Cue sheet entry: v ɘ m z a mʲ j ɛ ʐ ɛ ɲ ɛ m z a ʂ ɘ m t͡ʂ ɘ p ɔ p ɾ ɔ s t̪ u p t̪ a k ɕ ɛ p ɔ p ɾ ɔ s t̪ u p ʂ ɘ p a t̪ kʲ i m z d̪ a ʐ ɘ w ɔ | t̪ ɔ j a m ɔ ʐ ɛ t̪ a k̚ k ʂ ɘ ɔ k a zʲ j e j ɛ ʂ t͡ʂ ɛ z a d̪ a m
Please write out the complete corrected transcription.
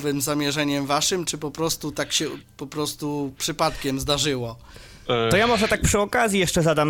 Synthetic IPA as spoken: v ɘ m z a mʲ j ɛ ʐ ɛ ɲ ɛ m v a ʂ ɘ m t͡ʂ ɘ p ɔ p ɾ ɔ s t̪ u t̪ a k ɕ ɛ p ɔ p ɾ ɔ s t̪ u p ʂ ɘ p a t̪ kʲ ɛ m z d̪ a ʐ ɘ w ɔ | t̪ ɔ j a m ɔ ʐ ɛ t̪ a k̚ p ʂ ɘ ɔ k a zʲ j i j ɛ ʂ t͡ʂ ɛ z a d̪ a m